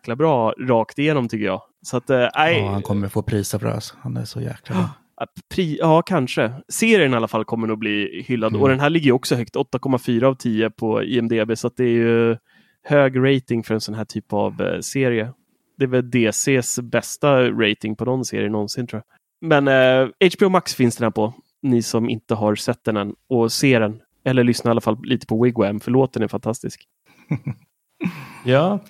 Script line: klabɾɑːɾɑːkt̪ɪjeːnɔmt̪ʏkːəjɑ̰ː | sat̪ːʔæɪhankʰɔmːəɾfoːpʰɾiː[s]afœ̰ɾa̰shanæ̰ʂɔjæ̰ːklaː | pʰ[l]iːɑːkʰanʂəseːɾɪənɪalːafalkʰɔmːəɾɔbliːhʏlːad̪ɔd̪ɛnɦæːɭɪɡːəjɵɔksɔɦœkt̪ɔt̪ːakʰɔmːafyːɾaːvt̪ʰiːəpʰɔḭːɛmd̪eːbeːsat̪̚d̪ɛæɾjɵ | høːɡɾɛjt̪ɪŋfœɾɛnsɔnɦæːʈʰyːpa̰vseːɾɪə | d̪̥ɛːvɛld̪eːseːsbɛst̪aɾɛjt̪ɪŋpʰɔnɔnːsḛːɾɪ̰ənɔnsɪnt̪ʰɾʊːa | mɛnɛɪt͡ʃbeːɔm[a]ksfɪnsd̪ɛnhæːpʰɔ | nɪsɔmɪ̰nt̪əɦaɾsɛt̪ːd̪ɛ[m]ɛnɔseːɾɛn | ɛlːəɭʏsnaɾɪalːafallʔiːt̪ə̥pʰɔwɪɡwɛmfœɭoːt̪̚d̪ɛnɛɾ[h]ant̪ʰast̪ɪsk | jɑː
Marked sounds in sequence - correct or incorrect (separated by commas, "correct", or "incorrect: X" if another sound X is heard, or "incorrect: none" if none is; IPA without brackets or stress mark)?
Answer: correct, incorrect: ɾ, correct, incorrect: n, incorrect: f